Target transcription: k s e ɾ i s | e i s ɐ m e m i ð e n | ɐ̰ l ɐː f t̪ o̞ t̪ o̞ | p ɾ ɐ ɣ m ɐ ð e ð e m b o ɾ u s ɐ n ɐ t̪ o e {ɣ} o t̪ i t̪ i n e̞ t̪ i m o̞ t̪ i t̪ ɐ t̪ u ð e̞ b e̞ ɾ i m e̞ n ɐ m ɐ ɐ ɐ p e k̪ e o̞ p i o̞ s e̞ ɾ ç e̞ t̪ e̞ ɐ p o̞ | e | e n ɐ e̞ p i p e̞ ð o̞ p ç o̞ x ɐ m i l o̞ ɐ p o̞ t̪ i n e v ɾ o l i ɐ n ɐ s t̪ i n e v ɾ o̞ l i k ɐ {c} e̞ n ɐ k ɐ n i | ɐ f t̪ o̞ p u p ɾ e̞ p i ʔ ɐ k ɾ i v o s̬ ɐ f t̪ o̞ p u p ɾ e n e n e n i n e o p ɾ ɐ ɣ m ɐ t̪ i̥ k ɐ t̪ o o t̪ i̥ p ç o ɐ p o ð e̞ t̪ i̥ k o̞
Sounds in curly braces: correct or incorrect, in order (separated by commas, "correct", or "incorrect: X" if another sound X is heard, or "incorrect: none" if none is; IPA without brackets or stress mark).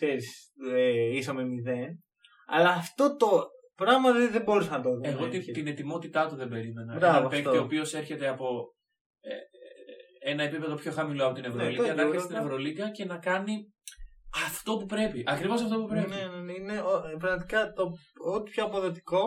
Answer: correct, correct